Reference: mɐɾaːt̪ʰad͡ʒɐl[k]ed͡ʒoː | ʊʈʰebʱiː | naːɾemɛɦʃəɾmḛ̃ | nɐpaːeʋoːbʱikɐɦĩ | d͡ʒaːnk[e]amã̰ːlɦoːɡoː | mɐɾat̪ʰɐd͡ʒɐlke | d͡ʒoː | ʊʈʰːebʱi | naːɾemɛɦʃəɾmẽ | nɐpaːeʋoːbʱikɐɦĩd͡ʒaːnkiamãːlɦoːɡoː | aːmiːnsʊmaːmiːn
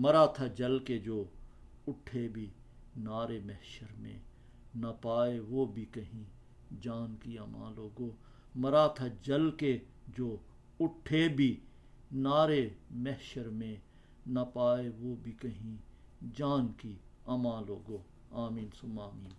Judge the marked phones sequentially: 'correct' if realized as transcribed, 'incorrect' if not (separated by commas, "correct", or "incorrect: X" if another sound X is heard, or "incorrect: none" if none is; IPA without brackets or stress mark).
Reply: correct, incorrect: i